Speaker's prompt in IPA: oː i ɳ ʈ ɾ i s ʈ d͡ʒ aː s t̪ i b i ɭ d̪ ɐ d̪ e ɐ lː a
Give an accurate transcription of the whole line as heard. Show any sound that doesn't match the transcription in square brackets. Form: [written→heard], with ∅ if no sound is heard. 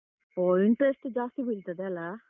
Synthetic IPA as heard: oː i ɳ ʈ ɾ [i→e] s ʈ d͡ʒ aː s t̪ i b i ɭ [d̪→t̪] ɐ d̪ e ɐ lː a